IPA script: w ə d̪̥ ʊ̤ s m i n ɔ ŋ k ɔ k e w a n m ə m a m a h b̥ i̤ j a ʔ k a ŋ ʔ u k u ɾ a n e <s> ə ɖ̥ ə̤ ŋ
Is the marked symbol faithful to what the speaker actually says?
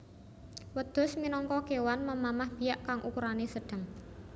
yes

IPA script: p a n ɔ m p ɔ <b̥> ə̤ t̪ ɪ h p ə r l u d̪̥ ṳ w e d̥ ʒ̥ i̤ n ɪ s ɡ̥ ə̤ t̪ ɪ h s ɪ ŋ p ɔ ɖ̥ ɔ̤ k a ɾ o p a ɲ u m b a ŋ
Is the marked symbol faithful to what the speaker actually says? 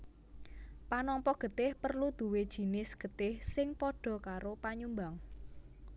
no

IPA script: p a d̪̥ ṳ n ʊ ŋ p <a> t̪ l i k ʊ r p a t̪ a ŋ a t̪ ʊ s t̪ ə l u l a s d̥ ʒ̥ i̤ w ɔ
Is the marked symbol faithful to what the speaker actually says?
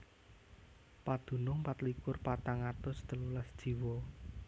yes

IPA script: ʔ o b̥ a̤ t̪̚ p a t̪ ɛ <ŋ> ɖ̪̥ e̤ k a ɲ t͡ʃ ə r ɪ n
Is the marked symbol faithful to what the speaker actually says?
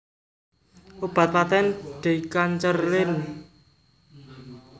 no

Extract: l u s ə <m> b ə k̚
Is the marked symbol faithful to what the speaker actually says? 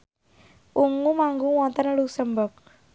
yes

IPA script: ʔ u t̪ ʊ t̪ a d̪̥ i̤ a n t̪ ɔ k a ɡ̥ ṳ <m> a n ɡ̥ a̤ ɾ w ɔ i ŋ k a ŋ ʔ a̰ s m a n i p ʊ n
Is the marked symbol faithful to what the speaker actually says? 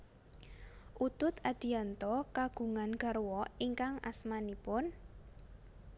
no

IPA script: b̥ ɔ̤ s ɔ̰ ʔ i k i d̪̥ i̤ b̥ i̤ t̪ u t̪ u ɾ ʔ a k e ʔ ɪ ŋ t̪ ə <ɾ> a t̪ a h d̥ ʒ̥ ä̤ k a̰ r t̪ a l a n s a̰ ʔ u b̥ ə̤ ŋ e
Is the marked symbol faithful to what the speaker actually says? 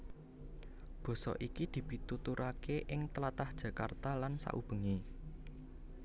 no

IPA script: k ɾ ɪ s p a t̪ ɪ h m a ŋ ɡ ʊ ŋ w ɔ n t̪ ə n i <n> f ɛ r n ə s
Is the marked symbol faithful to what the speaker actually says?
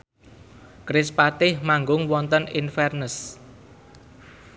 yes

